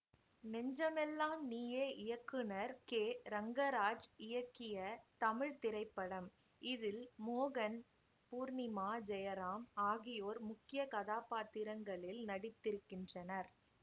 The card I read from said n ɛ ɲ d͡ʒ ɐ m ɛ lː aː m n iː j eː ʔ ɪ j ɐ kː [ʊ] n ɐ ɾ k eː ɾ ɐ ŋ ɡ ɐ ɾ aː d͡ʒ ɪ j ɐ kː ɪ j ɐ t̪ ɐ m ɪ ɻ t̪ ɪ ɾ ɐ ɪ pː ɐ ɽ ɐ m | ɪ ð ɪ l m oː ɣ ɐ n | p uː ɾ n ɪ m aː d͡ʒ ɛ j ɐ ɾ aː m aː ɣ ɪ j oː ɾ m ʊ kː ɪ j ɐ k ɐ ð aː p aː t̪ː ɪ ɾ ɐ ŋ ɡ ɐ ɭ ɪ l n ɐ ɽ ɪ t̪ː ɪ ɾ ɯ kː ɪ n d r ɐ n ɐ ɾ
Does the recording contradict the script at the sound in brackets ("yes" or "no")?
yes